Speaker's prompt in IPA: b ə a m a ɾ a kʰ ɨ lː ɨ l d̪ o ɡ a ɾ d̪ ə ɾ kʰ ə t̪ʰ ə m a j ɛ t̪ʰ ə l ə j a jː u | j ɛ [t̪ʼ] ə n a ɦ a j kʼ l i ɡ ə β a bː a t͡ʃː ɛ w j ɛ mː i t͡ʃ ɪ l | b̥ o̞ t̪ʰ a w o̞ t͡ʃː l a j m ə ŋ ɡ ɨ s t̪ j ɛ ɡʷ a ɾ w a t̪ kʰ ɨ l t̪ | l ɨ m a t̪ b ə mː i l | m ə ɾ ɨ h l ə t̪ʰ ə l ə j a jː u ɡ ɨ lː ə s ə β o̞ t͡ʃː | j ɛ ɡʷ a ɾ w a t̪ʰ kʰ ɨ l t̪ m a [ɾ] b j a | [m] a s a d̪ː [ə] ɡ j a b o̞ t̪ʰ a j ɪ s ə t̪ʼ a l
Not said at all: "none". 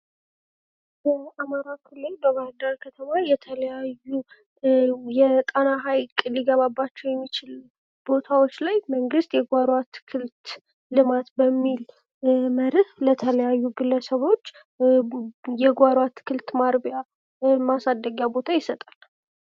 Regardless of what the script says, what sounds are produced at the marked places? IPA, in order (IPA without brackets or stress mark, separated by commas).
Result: t̪ʼ, ɾ, m, ə